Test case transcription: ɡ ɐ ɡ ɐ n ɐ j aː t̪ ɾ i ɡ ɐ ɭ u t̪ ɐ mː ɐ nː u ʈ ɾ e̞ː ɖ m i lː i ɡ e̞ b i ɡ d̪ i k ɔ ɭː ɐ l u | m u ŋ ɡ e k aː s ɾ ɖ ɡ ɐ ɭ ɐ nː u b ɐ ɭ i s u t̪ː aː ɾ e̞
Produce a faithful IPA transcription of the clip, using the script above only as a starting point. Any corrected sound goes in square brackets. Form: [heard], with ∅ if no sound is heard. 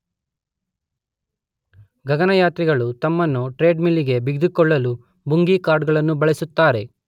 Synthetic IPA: ɡ ɐ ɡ ɐ n ɐ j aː t̪ ɾ i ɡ ɐ ɭ u t̪ ɐ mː ɐ nː u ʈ ɾ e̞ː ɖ m i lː i ɡ e̞ b i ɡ d̪ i k ɔ ɭː ɐ l u | [b] u ŋ ɡ [i] k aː [∅] ɾ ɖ ɡ ɐ ɭ ɐ nː u b ɐ ɭ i s u t̪ː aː ɾ e̞